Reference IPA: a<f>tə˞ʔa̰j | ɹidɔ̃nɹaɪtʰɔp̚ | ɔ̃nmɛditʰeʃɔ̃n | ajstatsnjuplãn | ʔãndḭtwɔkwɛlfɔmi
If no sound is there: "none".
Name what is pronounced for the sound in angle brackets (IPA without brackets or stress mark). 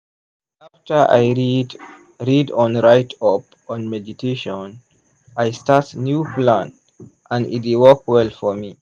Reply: f